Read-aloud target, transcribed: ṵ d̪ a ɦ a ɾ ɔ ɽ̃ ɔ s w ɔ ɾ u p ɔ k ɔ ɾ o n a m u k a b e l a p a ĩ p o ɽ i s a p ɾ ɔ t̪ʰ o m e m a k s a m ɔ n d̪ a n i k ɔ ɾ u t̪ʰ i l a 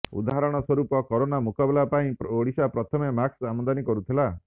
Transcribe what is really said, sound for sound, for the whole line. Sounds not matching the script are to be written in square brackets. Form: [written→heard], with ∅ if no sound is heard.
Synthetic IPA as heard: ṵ d̪ a ɦ a ɾ ɔ ɽ̃ ɔ s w ɔ ɾ u p ɔ k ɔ ɾ o n a m u k a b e l a p a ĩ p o ɽ i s a p ɾ ɔ t̪ʰ [o→ɔ] m e m a k s a m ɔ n d̪ a n i k ɔ ɾ u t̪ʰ i l a